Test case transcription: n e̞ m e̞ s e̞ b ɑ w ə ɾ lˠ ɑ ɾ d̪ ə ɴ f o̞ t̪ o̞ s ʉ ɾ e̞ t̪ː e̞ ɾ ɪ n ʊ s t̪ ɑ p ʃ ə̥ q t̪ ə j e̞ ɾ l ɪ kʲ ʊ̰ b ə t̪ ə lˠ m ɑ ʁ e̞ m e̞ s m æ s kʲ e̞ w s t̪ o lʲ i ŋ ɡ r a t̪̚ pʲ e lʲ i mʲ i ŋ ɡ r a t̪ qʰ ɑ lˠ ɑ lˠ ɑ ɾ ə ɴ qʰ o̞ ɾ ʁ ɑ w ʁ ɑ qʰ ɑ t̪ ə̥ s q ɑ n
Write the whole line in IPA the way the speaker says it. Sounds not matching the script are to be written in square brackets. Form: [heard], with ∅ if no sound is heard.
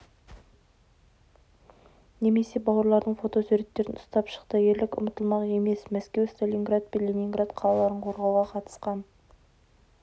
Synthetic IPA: n e̞ m e̞ s e̞ b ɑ w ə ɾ lˠ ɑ ɾ d̪ ə ɴ f o̞ t̪ o̞ s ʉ ɾ e̞ t̪ː e̞ ɾ ɪ n ʊ s t̪ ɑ p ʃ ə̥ q t̪ ə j e̞ ɾ l ɪ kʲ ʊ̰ [m] ə t̪ ə lˠ m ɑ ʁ e̞ m e̞ s m æ s kʲ e̞ w s t̪ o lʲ i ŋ ɡ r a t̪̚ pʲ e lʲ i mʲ i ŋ ɡ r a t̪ qʰ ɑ lˠ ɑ lˠ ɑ ɾ ə ɴ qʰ o̞ ɾ ʁ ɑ w ʁ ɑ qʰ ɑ t̪ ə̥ s q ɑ n

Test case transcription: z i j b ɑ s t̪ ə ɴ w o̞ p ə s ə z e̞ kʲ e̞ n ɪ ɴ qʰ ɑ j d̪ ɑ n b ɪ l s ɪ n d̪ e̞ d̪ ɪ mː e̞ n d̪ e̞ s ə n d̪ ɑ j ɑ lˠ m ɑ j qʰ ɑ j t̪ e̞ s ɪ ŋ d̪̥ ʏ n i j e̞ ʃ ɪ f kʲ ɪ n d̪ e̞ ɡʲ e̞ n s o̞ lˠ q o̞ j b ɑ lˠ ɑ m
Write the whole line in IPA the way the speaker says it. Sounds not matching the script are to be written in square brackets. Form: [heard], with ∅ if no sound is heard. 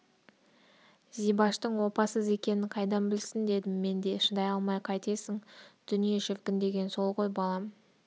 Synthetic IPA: z i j b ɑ [ʃ] t̪ ə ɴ w o̞ p [ɑ] s ə z e̞ kʲ e̞ n ɪ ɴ qʰ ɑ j d̪ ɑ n b ɪ l s ɪ n d̪ e̞ d̪ ɪ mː e̞ n d̪ e̞ [ʃ] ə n d̪ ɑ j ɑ lˠ m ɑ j qʰ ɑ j t̪ e̞ s ɪ ŋ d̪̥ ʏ n i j e̞ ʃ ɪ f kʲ ɪ n d̪ e̞ ɡʲ e̞ n s o̞ lˠ q o̞ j b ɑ lˠ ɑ m

